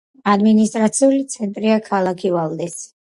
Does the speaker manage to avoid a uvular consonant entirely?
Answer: yes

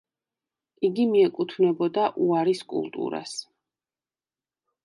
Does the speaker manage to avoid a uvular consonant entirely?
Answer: yes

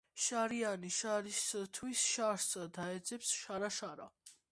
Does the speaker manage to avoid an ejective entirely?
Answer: yes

